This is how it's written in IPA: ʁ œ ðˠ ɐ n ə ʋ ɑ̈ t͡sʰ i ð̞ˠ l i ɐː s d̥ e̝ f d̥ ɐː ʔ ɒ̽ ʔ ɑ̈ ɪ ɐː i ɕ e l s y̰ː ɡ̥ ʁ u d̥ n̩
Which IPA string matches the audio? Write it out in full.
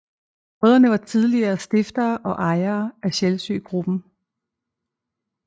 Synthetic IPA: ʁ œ ðˠ ɐ n ə ʋ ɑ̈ t͡sʰ i ð̞ˠ l i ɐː s d̥ e̝ f d̥ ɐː ʔ ɒ̽ ʔ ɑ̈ ɪ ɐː æ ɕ e l s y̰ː ɡ̥ ʁ u b̥ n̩